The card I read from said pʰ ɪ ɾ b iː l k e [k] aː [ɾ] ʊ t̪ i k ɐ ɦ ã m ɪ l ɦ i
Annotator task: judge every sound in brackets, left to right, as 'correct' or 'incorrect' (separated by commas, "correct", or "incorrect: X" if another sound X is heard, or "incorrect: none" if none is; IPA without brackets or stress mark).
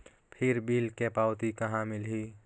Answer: incorrect: p, incorrect: none